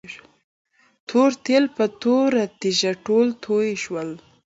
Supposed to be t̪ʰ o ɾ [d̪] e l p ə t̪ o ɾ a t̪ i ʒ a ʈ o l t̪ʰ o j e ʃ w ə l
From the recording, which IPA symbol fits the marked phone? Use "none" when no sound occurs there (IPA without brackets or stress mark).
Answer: t̪